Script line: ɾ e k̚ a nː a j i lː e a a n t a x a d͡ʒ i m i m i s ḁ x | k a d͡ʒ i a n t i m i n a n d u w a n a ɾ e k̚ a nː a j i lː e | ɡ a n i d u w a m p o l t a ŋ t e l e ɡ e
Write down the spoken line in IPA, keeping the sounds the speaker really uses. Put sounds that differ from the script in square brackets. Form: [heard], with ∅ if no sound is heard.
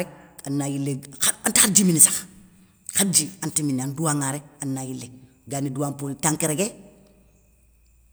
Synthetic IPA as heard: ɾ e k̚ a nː a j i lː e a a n t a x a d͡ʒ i m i [n] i s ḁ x | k a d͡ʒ i a n t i m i n a n d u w a [ŋ] a ɾ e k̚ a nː a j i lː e | ɡ a n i d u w a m p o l t a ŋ [k] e [ɾ] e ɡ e

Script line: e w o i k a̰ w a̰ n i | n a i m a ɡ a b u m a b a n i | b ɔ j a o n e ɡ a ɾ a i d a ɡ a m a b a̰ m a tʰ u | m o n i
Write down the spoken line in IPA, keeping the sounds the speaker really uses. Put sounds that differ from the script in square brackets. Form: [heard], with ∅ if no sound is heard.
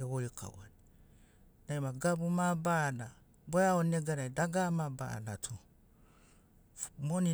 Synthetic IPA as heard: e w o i k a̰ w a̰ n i | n a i m a ɡ a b u m a b a n [a] | b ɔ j a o n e ɡ a ɾ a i d a ɡ a m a b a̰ [n] a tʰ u | m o n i

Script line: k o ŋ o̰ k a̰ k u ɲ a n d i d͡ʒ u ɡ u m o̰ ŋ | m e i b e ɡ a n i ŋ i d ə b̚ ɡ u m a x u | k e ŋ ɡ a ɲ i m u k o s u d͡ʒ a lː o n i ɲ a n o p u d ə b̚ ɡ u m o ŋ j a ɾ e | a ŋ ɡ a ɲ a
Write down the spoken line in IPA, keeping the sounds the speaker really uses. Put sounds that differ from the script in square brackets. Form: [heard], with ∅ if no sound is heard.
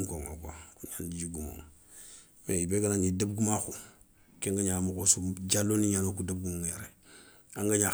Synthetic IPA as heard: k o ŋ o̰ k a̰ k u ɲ a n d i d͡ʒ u ɡ u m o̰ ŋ | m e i b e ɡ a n [a] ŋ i d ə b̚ ɡ u m a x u | k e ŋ ɡ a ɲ [a] m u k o s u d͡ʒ a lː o n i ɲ a n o [k] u d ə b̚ ɡ u m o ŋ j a ɾ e | a ŋ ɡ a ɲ a

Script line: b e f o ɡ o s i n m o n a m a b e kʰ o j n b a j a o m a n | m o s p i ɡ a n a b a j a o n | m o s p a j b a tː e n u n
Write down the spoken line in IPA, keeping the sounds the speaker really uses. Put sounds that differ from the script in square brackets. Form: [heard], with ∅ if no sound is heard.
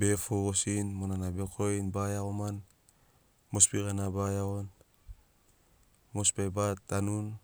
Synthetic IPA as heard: b e f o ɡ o s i n m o n a [n] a b e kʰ o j n b a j a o m a n | m o s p i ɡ a n a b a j a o n | m o s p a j b a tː [a] n u n

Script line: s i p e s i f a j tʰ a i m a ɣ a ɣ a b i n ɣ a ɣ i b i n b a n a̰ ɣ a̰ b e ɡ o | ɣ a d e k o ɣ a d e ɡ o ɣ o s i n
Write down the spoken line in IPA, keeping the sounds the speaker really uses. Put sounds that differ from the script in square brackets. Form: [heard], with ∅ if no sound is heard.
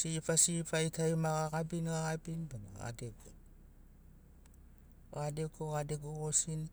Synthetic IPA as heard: s i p [a] s i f a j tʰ a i m a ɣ a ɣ a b i n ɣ a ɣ [a] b i n b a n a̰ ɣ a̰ [d] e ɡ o | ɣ a d e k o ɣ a d e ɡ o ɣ o s i n

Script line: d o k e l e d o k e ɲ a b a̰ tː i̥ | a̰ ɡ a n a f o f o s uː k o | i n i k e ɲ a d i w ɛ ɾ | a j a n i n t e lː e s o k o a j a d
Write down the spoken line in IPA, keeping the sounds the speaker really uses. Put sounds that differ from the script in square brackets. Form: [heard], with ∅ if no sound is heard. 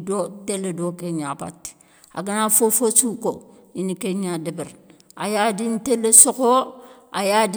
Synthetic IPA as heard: d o [t] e l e d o k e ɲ a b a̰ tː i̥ | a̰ ɡ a n a f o f o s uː k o | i n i k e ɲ a d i [b] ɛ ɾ | a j a [d] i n t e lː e s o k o a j a d

